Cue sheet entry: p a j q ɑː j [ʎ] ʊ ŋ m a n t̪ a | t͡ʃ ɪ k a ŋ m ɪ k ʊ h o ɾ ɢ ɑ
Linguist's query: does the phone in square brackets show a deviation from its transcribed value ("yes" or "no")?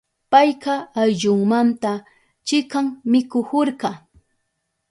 no